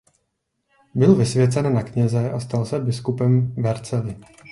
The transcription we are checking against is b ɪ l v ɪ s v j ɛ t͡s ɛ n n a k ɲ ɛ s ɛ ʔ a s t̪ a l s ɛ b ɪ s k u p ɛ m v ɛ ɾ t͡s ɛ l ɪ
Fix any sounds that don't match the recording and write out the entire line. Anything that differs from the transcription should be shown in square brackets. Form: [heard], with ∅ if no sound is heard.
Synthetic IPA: b ɪ l v ɪ s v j ɛ t͡s ɛ n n a k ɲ ɛ [z] ɛ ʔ a s t̪ a l s ɛ b ɪ s k u p ɛ m v ɛ ɾ t͡s ɛ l ɪ